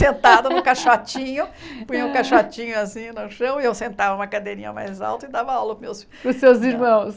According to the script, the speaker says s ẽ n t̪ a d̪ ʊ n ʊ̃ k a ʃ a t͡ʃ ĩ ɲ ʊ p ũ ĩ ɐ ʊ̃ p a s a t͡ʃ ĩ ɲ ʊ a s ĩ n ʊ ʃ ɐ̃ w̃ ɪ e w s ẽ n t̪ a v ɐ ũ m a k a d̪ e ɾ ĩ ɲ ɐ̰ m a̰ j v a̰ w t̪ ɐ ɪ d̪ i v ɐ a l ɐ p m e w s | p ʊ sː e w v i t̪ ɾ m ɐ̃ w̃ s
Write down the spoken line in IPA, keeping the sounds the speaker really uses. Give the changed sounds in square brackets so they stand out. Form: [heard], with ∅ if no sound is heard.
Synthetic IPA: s ẽ n t̪ a d̪ ʊ n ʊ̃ k a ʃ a t͡ʃ ĩ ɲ ʊ p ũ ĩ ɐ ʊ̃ [k] a [ʃ] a t͡ʃ ĩ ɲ ʊ a s ĩ n ʊ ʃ ɐ̃ w̃ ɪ e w s ẽ n t̪ a v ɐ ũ m [ɐ] k a d̪ e ɾ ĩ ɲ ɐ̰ m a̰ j [z] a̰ w t̪ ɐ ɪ d̪ [a] v ɐ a l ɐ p m e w s | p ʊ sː e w [z] i [∅] ɾ m ɐ̃ w̃ s